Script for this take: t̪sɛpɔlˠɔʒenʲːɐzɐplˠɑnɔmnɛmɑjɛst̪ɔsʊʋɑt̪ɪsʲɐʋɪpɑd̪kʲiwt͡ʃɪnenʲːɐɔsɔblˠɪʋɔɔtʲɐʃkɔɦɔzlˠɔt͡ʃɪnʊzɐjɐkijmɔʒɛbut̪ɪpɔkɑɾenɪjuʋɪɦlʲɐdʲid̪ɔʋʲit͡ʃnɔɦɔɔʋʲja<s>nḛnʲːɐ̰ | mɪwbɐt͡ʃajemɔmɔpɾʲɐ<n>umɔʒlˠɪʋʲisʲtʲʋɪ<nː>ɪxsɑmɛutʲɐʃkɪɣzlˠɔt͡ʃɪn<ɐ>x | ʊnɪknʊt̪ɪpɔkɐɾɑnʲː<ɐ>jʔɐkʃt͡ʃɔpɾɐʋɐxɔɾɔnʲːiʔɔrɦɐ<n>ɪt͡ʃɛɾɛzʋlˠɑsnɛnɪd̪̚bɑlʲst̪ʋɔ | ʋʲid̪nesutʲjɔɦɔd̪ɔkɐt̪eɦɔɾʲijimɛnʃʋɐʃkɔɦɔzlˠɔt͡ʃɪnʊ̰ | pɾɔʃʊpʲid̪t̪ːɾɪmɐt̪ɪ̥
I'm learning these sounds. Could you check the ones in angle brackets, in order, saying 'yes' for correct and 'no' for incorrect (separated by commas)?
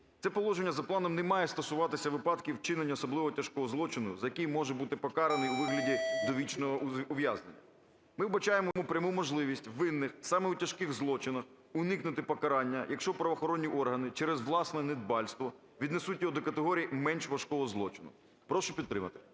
no, no, yes, yes, yes, yes